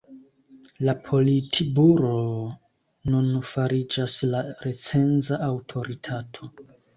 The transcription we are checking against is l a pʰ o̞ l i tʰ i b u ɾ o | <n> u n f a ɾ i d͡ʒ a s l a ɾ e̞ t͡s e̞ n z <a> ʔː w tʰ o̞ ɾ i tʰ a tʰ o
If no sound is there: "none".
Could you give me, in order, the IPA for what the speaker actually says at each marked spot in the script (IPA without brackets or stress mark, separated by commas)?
n, a